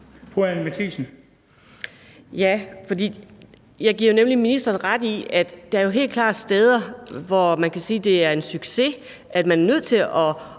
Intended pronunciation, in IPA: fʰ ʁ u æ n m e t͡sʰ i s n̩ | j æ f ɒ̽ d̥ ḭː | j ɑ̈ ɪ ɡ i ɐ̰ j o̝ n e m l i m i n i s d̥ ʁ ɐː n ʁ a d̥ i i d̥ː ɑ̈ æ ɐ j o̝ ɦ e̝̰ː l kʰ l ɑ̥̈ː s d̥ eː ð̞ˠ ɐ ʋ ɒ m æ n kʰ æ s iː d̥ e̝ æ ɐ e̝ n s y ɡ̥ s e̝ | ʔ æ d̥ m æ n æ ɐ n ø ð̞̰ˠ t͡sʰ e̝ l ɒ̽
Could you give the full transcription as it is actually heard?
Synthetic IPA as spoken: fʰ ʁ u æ n m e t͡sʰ i s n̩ | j æ f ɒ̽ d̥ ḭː | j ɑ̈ ɪ ɡ i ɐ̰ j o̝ n e m l i m i n i s d̥ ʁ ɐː n ʁ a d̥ i æ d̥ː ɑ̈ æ ɐ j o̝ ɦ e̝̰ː l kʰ l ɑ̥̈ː s d̥ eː ð̞ˠ ɐ ʋ ɒ m æ n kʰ æ s iː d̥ e̝ æ ɐ e̝ n s y ɡ̥ s e̝ | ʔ æ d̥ m æ n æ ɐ n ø ð̞̰ˠ t͡sʰ e̝ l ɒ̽